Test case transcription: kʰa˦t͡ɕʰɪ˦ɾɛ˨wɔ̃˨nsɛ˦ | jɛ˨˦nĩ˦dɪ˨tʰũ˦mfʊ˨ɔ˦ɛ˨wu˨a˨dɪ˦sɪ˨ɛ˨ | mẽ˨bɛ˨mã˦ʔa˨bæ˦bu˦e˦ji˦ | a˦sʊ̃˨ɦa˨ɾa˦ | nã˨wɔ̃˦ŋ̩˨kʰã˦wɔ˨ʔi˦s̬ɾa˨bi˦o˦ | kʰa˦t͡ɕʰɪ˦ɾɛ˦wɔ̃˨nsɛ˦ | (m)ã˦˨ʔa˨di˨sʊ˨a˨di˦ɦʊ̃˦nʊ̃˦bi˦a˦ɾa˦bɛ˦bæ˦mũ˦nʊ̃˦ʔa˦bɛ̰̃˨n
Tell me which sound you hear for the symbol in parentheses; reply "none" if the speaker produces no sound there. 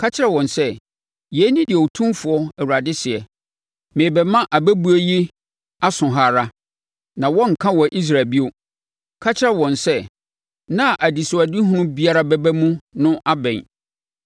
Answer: n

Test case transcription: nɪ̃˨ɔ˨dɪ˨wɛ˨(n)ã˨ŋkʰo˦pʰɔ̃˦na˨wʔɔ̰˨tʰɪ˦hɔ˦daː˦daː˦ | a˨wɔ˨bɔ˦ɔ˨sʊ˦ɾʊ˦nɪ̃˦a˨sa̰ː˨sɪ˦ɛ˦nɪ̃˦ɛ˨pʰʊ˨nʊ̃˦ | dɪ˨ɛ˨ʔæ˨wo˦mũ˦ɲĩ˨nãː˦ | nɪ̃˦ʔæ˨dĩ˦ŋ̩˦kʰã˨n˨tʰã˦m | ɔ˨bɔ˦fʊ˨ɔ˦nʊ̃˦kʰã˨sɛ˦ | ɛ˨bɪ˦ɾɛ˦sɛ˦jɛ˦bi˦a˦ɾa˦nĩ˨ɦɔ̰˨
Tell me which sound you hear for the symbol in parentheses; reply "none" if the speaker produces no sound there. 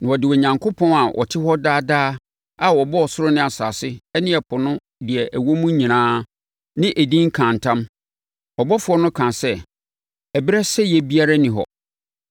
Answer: ɲ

